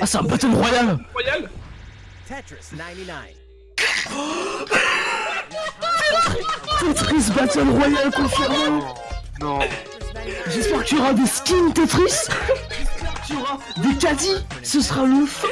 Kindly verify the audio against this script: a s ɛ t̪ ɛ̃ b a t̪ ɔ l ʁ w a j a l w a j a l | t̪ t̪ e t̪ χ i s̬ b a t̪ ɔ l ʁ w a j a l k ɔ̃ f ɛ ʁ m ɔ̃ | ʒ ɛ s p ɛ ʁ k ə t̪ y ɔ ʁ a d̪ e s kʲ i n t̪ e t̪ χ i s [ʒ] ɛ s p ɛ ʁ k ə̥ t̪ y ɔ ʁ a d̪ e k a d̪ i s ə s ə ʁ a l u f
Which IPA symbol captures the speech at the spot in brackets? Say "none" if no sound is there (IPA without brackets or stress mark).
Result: ʒ